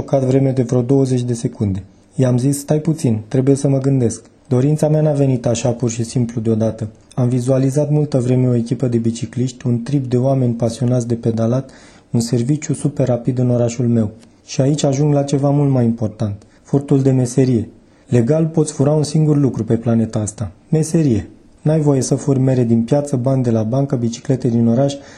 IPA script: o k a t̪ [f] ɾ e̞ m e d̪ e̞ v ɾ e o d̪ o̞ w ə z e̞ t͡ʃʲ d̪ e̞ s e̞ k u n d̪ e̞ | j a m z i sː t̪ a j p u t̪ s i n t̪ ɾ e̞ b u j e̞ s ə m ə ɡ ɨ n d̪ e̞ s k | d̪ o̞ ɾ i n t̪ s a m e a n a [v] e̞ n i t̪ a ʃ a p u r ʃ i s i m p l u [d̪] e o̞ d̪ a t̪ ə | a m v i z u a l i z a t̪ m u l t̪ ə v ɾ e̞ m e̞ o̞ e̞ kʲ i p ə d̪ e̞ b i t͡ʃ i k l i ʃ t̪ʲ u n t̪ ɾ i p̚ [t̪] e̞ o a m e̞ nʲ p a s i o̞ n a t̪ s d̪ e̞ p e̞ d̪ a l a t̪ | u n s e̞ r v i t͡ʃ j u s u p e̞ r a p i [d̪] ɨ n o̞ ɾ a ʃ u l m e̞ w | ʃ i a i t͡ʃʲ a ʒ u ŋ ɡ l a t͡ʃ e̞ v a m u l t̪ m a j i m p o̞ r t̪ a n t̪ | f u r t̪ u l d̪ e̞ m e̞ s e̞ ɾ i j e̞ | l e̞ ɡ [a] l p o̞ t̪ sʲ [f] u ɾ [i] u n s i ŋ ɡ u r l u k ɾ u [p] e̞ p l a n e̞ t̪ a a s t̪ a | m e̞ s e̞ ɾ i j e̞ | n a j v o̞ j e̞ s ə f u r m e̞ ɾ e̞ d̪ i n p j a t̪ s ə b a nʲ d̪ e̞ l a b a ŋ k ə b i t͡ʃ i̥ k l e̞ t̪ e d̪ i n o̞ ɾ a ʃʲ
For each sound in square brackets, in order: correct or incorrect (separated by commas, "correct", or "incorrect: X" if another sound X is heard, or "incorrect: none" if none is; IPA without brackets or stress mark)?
incorrect: v, correct, correct, incorrect: d̪, correct, correct, correct, incorrect: a, correct